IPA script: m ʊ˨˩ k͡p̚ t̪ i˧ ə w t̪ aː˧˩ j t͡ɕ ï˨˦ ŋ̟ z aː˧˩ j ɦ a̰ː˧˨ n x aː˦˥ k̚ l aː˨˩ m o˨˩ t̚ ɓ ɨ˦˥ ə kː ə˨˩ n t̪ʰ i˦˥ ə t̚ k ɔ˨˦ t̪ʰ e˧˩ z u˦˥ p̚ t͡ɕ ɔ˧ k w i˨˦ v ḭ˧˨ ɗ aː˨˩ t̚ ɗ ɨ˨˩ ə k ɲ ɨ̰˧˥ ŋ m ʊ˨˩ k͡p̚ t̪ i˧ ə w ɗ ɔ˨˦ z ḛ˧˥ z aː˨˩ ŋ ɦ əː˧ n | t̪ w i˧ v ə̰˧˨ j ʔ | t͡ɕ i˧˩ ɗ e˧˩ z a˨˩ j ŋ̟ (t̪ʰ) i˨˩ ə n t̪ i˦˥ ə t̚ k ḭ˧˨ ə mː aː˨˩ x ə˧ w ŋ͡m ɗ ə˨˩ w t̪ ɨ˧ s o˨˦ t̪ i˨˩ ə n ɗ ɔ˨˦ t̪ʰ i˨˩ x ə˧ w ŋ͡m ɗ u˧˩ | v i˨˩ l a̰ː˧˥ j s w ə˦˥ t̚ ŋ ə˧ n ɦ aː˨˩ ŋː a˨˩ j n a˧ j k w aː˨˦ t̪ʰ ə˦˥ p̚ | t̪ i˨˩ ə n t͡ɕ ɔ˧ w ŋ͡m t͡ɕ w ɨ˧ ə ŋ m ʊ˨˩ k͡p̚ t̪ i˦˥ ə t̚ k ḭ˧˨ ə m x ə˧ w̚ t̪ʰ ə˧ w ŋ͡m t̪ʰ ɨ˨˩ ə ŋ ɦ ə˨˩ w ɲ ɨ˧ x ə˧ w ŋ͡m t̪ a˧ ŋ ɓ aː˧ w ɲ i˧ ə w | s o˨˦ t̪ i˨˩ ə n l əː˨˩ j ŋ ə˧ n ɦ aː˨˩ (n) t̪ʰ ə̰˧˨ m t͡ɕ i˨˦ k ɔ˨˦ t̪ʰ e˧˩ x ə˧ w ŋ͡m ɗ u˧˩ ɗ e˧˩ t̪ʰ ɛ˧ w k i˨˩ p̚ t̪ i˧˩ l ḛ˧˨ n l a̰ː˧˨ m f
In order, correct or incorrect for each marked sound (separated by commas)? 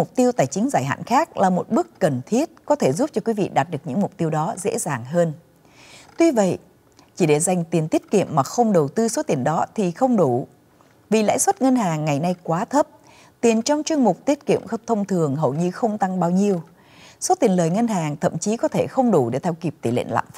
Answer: incorrect, incorrect